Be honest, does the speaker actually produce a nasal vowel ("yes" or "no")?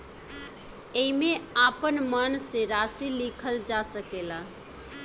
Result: no